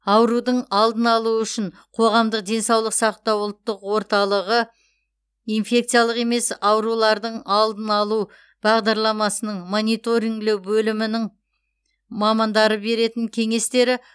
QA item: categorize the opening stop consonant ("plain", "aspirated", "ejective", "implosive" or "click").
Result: plain